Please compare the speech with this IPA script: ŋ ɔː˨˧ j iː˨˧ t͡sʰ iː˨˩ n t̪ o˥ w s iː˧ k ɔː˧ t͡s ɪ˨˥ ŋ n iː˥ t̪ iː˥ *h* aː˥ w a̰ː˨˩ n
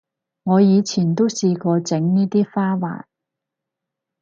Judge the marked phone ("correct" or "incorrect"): incorrect